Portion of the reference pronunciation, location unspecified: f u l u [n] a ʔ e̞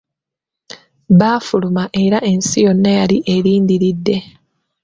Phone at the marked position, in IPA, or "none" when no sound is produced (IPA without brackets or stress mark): m